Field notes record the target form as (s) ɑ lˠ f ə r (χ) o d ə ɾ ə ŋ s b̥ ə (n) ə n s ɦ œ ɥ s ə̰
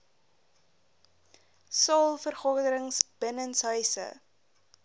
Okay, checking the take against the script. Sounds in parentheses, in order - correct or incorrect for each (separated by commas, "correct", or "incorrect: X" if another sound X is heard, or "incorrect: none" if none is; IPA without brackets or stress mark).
correct, correct, correct